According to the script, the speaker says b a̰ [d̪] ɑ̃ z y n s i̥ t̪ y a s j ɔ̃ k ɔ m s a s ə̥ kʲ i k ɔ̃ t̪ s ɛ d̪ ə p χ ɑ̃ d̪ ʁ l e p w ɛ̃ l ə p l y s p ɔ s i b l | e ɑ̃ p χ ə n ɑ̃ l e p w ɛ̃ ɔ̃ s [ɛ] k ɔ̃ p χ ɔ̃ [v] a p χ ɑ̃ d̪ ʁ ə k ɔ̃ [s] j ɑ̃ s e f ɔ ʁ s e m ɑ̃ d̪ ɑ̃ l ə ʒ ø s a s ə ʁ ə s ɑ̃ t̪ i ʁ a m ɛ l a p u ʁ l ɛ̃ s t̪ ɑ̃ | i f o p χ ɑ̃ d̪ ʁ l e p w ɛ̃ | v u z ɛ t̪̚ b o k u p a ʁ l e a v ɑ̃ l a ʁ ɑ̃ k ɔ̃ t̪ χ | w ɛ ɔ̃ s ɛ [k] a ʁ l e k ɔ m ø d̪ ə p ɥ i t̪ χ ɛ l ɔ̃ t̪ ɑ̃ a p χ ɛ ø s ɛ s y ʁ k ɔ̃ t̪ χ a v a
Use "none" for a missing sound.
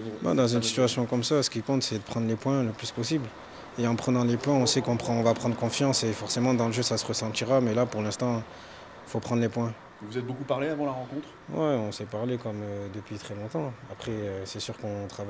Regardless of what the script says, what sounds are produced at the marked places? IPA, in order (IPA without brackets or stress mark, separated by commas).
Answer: d̪, ɛ, v, f, p